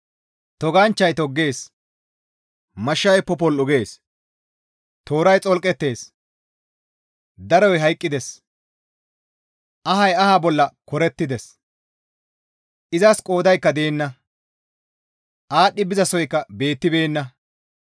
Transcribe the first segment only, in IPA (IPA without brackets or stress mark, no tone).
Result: t̪